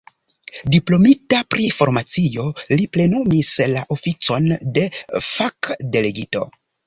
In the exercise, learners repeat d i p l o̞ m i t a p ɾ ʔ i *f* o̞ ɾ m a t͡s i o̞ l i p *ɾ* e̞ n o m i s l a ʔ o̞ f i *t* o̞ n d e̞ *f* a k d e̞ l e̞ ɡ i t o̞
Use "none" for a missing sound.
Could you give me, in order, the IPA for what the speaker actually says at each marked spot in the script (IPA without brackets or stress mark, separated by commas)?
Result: f, l, t͡s, f